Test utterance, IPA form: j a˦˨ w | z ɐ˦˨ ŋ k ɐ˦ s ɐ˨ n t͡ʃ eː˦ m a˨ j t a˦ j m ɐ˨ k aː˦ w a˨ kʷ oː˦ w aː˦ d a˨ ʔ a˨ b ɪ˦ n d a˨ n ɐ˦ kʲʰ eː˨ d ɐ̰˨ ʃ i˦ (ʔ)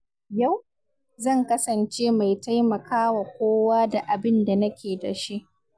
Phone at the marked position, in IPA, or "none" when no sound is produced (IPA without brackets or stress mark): ʔ